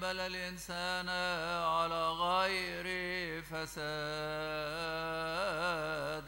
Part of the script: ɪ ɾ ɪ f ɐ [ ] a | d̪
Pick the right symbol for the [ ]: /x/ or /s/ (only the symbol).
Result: s